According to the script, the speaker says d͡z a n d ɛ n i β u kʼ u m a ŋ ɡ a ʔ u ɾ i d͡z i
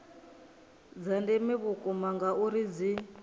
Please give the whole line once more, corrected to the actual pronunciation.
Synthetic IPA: d͡z a n d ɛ m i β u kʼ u m a ŋ ɡ a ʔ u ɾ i d͡z i